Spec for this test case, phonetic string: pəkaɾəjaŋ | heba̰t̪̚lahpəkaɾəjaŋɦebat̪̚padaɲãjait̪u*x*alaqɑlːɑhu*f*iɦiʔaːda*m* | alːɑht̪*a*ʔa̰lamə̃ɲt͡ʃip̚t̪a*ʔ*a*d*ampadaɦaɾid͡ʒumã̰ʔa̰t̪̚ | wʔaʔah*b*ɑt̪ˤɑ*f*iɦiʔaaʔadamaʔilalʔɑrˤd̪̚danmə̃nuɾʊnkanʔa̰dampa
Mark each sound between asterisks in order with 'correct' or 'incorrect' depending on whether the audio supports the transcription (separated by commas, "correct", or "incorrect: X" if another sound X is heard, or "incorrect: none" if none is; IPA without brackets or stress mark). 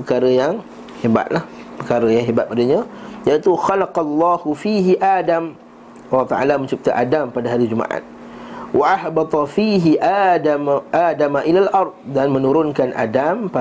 correct, correct, correct, correct, correct, correct, correct, correct